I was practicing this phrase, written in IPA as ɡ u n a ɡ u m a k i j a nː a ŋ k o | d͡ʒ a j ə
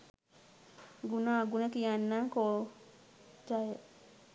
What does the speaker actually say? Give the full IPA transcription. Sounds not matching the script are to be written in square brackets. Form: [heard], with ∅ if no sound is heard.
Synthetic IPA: ɡ u n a ɡ u [n] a k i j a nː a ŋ k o | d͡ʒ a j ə